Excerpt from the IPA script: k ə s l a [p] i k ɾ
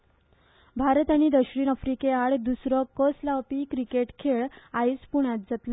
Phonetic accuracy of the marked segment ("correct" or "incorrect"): correct